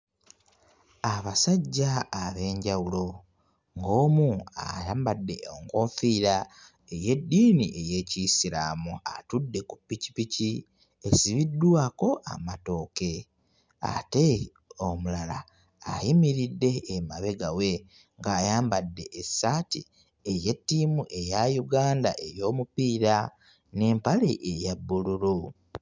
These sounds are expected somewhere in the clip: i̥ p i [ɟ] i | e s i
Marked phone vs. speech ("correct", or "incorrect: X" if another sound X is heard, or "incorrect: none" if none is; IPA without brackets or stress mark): incorrect: c